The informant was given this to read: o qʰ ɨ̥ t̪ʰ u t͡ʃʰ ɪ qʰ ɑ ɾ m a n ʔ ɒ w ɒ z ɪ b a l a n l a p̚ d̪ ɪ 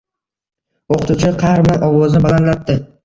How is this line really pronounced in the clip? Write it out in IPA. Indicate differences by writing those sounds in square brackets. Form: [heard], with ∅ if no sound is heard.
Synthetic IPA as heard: o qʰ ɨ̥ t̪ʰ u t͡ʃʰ ɪ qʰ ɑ ɾ m a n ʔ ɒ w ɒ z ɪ b a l a n l a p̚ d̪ ɪ